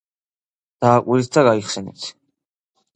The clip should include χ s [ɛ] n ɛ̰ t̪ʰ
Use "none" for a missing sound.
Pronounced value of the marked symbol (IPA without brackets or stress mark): ɛ